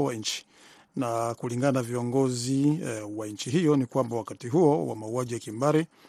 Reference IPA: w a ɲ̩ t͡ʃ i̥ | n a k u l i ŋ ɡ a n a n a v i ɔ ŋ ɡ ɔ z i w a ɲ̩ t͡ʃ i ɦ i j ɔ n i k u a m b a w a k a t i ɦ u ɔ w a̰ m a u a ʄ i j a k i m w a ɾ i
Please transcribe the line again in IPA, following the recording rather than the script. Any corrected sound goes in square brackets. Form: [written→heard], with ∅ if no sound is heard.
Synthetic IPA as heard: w a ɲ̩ t͡ʃ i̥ | n a k u l i ŋ ɡ a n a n a v i ɔ ŋ ɡ ɔ z i w a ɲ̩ t͡ʃ i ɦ i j ɔ n i k [u→w] a m b a w a k a t i ɦ u ɔ w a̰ m a u a ʄ i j a k i m [w→b] a ɾ i